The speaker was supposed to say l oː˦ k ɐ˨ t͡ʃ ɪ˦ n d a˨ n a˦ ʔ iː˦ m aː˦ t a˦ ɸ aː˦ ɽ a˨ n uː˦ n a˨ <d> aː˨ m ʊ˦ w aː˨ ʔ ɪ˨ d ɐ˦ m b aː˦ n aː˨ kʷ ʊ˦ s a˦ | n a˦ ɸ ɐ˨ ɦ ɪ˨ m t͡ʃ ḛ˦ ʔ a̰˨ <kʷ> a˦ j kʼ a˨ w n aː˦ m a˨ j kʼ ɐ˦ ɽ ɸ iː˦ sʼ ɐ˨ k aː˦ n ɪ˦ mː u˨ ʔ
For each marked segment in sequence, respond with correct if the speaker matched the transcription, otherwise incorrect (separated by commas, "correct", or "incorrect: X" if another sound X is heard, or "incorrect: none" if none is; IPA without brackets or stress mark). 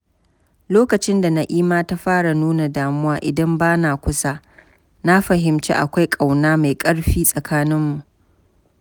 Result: correct, correct